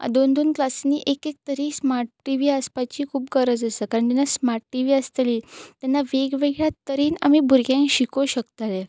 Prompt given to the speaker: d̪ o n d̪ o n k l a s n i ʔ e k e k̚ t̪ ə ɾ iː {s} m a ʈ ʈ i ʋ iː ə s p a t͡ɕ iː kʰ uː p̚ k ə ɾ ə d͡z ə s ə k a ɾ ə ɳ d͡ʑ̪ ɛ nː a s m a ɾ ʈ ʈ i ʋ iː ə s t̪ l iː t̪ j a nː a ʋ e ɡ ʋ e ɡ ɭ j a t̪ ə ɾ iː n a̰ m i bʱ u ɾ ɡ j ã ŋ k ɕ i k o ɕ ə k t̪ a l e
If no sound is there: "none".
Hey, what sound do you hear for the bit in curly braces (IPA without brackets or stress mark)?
s